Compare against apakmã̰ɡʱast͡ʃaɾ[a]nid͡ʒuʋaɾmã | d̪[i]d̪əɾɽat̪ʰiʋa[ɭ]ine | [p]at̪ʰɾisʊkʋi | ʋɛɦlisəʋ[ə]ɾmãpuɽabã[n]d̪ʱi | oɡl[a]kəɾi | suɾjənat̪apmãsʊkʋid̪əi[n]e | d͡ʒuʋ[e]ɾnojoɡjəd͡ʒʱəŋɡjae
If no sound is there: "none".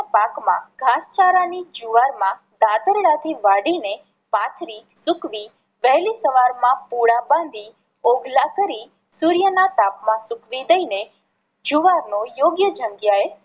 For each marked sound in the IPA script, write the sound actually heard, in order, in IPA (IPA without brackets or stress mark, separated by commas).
a, a, ɽ, p, a, n, a, n, a